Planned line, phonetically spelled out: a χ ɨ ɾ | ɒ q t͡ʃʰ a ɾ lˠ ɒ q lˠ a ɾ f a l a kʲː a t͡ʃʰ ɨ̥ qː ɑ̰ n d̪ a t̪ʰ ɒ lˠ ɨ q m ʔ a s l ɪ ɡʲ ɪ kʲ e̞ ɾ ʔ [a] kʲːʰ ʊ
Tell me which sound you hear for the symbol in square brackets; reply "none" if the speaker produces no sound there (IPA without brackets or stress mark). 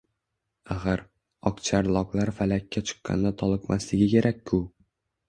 a